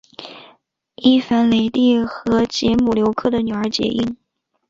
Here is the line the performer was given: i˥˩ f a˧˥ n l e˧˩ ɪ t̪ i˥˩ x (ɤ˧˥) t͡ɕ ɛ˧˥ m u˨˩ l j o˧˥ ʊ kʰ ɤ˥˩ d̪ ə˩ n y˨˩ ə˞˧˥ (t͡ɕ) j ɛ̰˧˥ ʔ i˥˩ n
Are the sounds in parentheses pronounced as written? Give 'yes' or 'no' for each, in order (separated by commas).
yes, yes